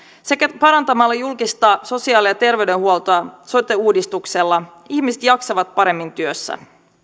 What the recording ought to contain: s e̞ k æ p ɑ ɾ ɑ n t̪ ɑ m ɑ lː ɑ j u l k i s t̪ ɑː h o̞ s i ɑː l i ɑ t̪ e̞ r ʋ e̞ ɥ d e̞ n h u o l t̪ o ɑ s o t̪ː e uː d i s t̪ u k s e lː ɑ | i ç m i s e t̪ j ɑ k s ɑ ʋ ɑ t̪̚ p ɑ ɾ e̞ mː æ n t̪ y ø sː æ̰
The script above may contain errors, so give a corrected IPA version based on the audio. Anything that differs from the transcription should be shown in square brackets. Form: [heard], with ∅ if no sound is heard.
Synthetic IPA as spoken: s e̞ k æ p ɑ ɾ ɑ n t̪ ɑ m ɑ lː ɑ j u l k i s t̪ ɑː [s] o̞ s i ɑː l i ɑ t̪ e̞ r ʋ e̞ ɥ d e̞ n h u o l t̪ o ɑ s o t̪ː e uː d i s t̪ u k s e lː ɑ | i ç m i s e t̪ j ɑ k s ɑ ʋ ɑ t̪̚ p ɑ ɾ e̞ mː [i] n t̪ y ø sː æ̰